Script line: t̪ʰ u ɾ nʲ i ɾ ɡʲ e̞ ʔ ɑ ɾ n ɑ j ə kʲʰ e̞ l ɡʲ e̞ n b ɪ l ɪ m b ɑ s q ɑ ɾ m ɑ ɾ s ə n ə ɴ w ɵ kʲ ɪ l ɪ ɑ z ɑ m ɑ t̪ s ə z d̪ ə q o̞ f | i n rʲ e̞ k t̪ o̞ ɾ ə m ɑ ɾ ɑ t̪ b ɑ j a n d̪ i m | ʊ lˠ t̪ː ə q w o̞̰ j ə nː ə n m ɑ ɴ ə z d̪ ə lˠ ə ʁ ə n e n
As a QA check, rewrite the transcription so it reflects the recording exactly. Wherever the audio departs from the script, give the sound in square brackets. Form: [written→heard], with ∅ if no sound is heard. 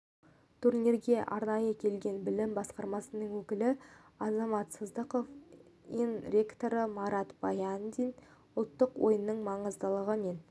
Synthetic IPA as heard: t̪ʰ u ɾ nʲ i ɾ ɡʲ e̞ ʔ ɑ ɾ n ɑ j ə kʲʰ e̞ l ɡʲ e̞ n b ɪ l ɪ m b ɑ s q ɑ ɾ m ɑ [ɾ→∅] s ə n ə ɴ w ɵ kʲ ɪ l ɪ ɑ z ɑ m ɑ t̪ s ə z d̪ ə q o̞ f | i n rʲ e̞ k t̪ o̞ ɾ ə m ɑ ɾ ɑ t̪ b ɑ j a n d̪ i [m→n] | ʊ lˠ t̪ː ə q w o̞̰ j ə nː ə [n→ɴ] m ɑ ɴ ə z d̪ ə lˠ ə ʁ ə [n→m] e n